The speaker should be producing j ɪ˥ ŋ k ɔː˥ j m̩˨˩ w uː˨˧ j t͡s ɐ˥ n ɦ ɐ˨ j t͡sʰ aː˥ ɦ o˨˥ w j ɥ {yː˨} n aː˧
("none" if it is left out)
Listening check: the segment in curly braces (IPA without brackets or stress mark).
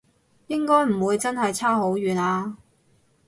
yː˨